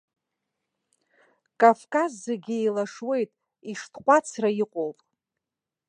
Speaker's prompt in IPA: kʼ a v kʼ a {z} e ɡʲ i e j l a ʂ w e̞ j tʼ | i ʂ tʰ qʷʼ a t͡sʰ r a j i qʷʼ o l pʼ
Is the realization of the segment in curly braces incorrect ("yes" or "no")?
yes